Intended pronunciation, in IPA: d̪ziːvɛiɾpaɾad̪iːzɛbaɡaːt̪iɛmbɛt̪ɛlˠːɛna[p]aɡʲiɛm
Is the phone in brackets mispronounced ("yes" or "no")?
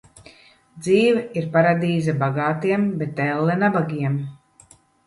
yes